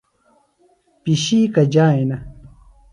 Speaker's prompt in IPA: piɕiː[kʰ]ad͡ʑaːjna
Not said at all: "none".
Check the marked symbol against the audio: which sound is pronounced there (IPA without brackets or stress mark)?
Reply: k